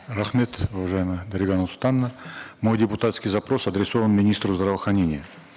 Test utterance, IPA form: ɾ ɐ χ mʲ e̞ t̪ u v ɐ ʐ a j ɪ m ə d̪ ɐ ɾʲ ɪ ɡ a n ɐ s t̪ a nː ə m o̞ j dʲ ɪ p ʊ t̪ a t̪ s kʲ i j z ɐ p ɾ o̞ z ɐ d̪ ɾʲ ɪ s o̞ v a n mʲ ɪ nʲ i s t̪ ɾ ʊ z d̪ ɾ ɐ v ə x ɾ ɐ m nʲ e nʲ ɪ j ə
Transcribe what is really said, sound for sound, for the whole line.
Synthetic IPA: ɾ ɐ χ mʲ e̞ t̪ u v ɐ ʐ a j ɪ m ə d̪ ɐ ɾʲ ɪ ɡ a n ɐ s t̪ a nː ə m o̞ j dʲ ɪ p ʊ t̪ a t̪ s kʲ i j z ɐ p ɾ o̞ s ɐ d̪ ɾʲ ɪ s o̞ v ə n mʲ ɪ nʲ i s t̪ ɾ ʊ z d̪ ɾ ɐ v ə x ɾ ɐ nʲ e nʲ ɪ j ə